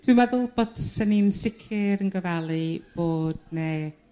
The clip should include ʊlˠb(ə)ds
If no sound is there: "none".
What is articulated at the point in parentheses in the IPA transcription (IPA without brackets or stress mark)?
ə